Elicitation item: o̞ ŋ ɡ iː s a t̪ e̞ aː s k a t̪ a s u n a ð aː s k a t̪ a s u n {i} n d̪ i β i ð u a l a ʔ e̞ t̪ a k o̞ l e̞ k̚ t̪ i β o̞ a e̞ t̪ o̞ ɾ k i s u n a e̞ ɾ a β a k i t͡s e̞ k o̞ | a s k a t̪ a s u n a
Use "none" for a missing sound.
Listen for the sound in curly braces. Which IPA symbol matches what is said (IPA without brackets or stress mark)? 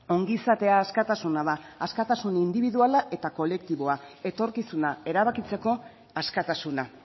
i